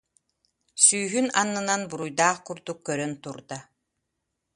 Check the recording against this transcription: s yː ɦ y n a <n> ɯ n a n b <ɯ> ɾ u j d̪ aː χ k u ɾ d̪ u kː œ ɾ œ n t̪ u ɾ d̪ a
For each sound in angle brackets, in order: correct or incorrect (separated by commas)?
incorrect, incorrect